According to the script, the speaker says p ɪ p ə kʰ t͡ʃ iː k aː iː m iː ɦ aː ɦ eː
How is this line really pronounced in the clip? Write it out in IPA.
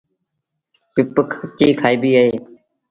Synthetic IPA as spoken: p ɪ p ə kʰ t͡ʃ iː kʰ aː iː b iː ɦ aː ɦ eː